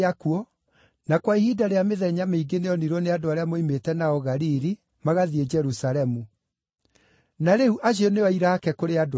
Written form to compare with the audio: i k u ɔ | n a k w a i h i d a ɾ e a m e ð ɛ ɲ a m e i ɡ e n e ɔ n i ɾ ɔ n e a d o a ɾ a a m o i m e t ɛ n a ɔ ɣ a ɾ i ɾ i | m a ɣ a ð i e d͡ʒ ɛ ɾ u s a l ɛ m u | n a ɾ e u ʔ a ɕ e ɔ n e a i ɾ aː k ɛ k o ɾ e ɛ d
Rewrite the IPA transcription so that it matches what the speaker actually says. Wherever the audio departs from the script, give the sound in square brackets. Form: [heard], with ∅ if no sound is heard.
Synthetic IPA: [a] k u ɔ | n a k w a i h i d a ɾ e a m e ð ɛ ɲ a m e i ɡ e n e ɔ n i ɾ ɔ n e a d o a ɾ [e] a m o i m e t ɛ n a ɔ ɣ a ɾ i ɾ i | m a ɣ a ð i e d͡ʒ ɛ ɾ u s a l ɛ m u | n a ɾ e u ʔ a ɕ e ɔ n e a i ɾ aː k ɛ k o ɾ e [a] d